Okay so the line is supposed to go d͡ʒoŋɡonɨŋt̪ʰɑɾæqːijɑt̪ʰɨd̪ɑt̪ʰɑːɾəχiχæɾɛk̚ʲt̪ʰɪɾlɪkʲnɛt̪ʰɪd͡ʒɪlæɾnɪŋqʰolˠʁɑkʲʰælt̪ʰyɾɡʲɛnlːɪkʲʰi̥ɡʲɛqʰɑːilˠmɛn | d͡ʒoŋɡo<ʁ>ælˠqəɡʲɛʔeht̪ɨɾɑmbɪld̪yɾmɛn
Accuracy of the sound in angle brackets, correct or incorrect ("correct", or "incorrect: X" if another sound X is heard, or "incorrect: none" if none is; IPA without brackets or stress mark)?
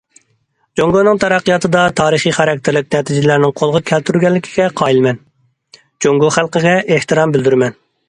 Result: incorrect: χ